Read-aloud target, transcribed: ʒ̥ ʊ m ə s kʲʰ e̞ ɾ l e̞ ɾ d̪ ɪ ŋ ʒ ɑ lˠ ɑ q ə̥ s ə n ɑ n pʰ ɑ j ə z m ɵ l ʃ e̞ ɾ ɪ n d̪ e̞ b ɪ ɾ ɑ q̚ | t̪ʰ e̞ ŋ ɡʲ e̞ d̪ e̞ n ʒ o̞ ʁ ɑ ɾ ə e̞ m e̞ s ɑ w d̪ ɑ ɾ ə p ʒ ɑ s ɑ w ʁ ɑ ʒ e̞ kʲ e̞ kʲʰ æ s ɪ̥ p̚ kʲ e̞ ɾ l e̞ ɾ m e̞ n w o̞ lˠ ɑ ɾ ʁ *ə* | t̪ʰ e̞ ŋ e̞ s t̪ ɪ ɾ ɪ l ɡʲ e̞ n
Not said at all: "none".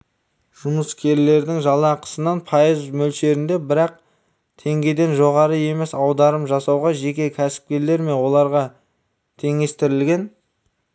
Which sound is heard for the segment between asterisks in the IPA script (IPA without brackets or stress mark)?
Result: ɑ